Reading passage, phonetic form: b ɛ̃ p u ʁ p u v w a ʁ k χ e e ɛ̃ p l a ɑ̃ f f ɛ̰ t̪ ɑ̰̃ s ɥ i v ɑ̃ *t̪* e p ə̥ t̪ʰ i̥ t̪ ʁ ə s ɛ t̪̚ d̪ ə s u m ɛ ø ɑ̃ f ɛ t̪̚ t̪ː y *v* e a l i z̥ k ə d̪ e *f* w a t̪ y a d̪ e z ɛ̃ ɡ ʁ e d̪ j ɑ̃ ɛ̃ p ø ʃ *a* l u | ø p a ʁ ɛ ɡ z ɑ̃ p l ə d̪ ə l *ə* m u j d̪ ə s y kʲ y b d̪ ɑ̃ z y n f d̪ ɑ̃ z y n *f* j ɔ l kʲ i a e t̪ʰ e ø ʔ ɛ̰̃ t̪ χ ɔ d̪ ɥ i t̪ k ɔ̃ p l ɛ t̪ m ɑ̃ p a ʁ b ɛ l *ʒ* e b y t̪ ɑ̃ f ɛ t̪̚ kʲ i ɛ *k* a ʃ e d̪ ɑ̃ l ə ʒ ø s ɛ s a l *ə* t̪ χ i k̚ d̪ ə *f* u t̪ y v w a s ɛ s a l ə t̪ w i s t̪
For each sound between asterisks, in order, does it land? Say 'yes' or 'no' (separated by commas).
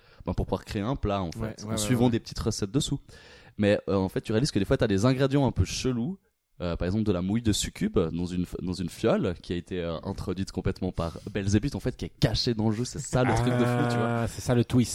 no, no, yes, no, no, yes, no, yes, yes, yes